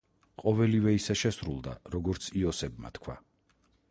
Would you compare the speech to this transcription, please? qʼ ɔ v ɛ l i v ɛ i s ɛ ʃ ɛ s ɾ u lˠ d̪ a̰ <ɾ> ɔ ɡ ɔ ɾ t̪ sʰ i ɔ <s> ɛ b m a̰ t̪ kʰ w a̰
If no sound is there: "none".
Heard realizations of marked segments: ɾ, s

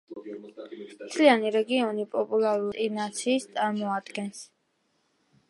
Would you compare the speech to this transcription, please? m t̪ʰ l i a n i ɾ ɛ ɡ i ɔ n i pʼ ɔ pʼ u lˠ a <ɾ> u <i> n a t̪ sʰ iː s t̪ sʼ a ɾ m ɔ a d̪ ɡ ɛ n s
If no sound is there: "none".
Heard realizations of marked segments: ɾ, i

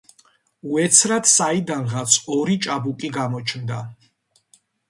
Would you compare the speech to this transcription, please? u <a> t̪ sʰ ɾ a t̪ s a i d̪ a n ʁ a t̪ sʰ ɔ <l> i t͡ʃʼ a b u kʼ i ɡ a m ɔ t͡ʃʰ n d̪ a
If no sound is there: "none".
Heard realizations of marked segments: ɛ, ɾ

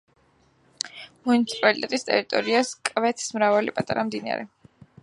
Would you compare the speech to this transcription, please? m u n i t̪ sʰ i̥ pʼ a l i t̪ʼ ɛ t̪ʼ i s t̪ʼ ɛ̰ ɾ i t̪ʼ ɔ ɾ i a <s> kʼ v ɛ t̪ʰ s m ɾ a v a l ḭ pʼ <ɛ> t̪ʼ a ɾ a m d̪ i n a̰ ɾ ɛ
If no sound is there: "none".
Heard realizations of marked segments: s, a

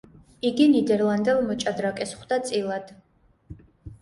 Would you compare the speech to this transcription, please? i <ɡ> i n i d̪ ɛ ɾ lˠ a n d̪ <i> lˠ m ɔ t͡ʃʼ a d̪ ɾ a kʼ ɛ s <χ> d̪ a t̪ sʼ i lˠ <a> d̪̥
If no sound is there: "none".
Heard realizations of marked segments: ɡ, ɛ, χ, a

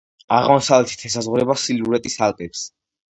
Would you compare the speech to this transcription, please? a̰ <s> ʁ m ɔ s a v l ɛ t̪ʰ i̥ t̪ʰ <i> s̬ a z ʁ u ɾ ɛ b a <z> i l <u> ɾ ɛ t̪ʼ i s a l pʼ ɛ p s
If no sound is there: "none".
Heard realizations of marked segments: none, ɛ, s, u

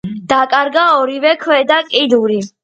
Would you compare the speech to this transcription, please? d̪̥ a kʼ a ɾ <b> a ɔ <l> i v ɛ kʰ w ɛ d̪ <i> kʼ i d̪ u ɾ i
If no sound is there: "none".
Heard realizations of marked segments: ɡ, ɾ, a

